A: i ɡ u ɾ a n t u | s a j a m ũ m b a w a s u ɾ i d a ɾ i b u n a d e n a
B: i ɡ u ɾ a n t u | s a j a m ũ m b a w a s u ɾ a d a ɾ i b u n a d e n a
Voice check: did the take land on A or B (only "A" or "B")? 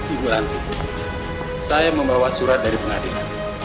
B